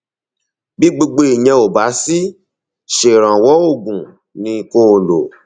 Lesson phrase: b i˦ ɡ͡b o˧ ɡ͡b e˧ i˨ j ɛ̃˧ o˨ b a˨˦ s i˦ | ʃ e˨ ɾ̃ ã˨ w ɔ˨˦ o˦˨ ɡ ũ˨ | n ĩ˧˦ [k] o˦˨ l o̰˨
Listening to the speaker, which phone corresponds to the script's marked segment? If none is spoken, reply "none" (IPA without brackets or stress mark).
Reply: k